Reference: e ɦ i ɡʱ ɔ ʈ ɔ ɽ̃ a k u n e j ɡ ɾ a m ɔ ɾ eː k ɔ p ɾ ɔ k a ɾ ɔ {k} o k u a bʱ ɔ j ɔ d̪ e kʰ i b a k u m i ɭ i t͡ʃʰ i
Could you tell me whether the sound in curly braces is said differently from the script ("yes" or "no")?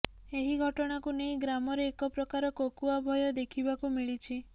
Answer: no